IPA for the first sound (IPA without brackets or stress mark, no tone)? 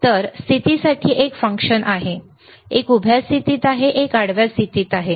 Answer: t̪